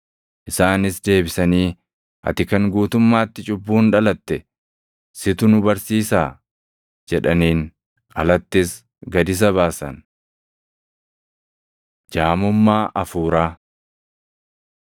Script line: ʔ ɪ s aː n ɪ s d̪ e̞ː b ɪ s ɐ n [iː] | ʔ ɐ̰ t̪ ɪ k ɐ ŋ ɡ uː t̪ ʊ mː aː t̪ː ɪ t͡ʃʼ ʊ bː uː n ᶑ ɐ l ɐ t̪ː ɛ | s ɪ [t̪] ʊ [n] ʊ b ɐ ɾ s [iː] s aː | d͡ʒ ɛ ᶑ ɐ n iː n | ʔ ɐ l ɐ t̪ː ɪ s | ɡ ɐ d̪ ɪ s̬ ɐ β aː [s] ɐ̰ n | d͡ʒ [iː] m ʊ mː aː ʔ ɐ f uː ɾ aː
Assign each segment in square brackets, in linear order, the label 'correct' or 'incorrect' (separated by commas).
correct, correct, correct, correct, correct, incorrect